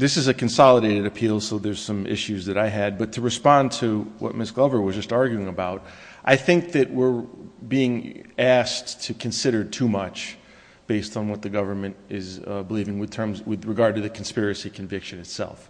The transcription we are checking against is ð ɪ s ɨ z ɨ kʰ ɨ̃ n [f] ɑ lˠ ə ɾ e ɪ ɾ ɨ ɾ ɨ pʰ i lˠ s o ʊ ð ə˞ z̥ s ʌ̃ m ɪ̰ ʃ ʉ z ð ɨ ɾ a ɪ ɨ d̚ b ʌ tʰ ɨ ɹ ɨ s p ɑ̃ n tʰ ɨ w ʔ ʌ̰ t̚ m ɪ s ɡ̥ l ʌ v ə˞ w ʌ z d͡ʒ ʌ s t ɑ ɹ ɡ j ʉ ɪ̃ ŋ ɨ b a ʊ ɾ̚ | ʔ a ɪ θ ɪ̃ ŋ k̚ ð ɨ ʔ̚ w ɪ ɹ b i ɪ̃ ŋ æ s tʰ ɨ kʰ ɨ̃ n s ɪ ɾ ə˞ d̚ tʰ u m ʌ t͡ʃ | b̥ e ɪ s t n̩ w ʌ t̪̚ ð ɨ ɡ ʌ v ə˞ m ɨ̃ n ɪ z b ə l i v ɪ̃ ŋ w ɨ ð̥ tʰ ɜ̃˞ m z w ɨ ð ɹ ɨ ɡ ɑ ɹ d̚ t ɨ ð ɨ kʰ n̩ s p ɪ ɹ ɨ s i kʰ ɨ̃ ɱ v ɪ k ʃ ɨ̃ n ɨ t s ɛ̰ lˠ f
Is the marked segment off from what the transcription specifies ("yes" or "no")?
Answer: yes